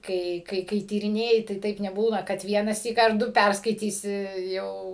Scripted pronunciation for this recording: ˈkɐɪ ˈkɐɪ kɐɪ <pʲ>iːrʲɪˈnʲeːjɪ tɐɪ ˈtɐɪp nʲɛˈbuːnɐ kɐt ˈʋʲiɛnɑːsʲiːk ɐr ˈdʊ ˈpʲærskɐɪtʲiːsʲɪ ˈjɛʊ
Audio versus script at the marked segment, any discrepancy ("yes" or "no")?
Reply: yes